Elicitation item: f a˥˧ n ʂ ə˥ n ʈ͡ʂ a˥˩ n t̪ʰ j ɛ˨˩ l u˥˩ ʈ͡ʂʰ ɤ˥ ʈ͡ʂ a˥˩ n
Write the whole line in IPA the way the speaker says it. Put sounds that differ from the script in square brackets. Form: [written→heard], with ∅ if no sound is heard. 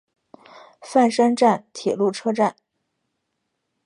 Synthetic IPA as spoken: f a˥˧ n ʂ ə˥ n ʈ͡ʂ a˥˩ n t̪ʰ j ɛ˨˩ l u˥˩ ʈ͡ʂʰ ɤ˥ ʈ͡ʂ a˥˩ n